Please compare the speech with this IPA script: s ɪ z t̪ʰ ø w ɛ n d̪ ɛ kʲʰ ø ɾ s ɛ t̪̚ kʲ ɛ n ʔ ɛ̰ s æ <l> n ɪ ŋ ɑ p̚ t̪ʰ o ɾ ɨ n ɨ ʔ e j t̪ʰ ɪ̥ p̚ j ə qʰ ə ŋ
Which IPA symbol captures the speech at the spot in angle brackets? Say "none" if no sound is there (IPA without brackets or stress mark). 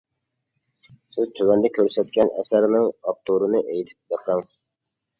ɾ